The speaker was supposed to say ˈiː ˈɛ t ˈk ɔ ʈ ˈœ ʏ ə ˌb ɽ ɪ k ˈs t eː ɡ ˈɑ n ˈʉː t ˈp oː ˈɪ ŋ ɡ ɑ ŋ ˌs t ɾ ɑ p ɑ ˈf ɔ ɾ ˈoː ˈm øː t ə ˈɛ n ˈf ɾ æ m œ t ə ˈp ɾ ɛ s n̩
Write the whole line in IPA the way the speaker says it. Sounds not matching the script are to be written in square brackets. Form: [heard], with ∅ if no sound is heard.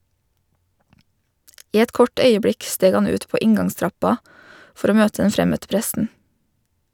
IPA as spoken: ˈiː ˈɛ t ˈk ɔ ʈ ˈœ ʏ ə ˌb ɽ ɪ k ˈs t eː ɡ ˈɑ n ˈʉː t ˈp oː ˈɪ ŋ ɡ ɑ ŋ ˌs t ɾ ɑ p ɑ ˈf ɔ ɾ ˈoː ˈm øː t ə ˈɛ n ˈf ɾ [ɛ] m œ t ə ˈp ɾ ɛ s n̩